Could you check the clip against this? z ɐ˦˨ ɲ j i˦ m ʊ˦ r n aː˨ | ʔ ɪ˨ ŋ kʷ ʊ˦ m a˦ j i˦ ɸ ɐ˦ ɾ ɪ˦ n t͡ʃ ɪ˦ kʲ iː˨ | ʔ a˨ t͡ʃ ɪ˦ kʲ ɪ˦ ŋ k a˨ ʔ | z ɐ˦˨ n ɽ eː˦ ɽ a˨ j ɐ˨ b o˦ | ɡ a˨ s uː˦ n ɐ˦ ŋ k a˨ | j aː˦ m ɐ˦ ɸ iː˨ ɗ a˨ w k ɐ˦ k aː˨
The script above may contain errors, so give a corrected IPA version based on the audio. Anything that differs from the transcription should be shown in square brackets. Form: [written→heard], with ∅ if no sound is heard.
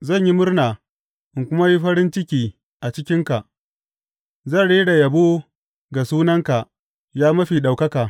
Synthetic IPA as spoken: z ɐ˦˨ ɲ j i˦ m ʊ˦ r n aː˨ | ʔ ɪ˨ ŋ kʷ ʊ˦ m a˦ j i˦ ɸ ɐ˦ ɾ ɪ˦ n t͡ʃ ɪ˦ kʲ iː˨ | ʔ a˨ t͡ʃ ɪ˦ kʲ ɪ˦ ŋ k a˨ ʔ | z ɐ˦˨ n ɽ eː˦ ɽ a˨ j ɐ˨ b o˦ | ɡ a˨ s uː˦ n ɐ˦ ŋ k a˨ | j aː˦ m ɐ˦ ɸ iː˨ ɗ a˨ w k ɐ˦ k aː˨